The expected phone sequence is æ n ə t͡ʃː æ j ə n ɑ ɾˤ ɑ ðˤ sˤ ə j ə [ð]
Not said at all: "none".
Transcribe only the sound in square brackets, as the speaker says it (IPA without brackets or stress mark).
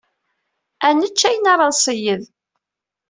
ð